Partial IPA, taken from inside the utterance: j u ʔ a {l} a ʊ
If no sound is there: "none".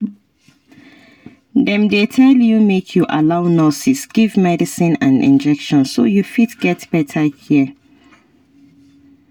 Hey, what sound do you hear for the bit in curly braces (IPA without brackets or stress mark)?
l